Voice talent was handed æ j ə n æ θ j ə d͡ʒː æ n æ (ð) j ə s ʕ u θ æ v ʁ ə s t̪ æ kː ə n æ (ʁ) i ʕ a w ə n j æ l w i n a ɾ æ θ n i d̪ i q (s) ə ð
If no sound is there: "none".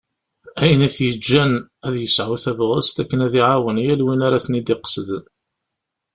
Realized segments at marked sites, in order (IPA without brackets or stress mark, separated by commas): ð, ð, s